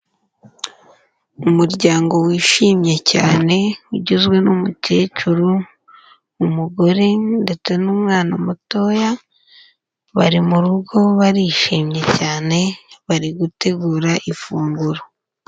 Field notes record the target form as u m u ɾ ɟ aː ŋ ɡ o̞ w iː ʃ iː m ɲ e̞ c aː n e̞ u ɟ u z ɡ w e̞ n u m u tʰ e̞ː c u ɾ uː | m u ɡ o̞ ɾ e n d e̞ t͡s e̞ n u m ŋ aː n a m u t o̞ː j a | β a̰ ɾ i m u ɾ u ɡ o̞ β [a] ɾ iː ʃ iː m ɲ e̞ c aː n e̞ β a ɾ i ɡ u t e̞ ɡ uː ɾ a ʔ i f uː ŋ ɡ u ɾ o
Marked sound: correct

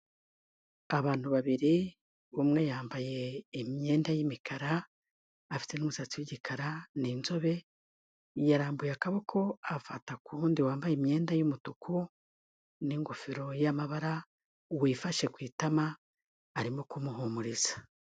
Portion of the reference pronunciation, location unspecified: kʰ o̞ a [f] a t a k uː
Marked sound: correct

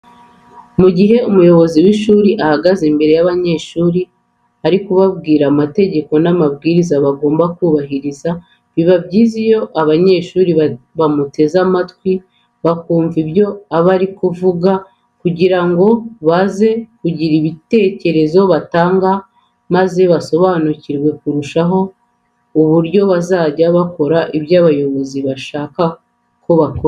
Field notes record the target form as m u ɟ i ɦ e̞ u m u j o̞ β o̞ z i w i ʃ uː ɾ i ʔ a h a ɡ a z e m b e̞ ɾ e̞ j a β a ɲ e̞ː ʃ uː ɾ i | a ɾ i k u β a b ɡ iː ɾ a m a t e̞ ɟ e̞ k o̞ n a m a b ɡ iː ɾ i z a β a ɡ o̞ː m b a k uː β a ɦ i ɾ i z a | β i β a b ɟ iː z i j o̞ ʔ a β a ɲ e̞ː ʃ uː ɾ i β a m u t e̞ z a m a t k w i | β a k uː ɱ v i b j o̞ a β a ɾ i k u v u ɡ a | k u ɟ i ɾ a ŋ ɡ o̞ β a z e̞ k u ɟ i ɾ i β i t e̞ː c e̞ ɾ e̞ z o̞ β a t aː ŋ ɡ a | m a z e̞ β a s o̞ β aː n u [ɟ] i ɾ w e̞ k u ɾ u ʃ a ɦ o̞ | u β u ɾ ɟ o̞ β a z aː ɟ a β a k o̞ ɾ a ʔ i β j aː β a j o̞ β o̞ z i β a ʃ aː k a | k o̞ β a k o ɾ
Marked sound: incorrect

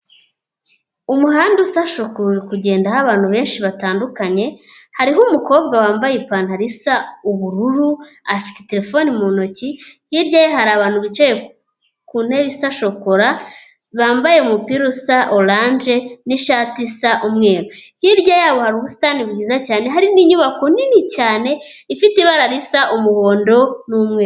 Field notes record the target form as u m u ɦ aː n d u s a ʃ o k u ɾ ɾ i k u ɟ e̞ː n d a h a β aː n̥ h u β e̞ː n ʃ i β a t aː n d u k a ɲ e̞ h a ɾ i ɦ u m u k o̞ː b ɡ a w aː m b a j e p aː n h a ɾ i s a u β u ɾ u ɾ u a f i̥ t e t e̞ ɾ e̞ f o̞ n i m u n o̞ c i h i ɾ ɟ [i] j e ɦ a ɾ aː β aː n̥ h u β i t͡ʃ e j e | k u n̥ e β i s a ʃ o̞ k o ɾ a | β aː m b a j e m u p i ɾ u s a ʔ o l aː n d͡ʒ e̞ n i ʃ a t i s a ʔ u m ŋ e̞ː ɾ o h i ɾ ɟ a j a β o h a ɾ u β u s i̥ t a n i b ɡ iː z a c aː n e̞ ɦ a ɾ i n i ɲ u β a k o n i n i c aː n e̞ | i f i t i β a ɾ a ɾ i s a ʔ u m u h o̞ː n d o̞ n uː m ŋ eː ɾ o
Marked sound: incorrect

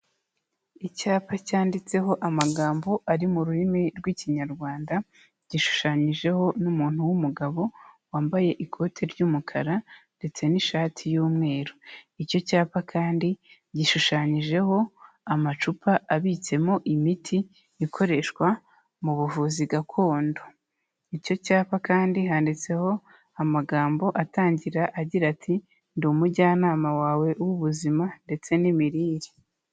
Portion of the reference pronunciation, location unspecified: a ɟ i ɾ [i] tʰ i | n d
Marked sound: incorrect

